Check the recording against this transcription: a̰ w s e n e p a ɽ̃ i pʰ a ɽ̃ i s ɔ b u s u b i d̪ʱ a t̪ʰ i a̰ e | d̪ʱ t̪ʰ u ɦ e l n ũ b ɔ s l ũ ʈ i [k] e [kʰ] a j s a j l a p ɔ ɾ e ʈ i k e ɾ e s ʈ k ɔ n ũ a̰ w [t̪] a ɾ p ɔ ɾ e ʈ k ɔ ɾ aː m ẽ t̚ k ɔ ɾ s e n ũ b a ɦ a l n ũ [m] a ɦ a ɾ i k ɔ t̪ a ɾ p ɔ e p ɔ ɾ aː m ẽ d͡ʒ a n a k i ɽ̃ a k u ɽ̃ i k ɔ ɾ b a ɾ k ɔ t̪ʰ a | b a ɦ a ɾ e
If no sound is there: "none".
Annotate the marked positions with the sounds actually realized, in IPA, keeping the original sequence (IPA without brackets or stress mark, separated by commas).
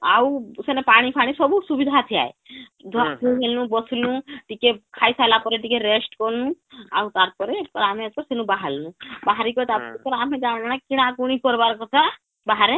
k, kʰ, t̪, b